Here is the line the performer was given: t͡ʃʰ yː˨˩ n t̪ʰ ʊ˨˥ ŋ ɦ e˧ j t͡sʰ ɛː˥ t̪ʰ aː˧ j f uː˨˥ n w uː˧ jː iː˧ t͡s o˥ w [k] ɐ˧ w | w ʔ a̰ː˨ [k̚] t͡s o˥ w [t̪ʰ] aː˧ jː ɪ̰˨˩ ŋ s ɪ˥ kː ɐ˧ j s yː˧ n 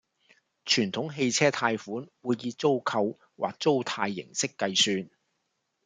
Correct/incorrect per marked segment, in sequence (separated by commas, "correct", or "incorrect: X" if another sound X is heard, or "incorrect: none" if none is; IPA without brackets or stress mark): incorrect: kʰ, correct, correct